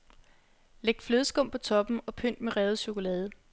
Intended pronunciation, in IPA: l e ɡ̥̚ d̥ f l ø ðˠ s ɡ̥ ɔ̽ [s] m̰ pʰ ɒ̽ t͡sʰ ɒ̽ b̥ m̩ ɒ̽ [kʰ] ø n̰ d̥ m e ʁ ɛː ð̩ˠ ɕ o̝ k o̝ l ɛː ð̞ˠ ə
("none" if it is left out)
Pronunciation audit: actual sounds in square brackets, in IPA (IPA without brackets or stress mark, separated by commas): none, pʰ